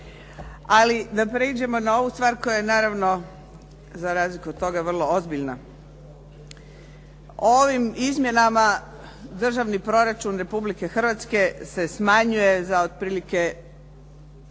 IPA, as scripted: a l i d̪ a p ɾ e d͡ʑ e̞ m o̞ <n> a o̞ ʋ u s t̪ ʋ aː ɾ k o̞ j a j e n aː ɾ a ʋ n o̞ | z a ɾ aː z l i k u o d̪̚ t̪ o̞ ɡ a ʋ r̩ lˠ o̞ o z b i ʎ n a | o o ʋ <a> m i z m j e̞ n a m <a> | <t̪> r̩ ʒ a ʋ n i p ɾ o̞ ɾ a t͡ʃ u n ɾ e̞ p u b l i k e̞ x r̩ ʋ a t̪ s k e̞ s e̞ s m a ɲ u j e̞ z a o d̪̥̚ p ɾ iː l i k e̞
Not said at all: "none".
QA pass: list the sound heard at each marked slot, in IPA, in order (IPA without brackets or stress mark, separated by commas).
n, i, a, d̪